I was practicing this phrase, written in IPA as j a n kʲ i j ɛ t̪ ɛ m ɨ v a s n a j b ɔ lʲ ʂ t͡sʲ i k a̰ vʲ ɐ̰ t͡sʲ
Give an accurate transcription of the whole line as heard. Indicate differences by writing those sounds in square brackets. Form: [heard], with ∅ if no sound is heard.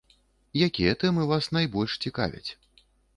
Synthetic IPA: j a [∅] kʲ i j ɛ t̪ ɛ m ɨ v a s n a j b ɔ lʲ ʂ t͡sʲ i k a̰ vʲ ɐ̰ t͡sʲ